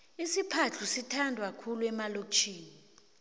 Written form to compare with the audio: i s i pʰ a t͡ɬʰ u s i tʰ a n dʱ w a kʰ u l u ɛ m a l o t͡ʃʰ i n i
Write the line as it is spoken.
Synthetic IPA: i s i pʰ a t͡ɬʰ u s i tʰ a n dʱ w a kʰ u l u ɛ m a l o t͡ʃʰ iː n i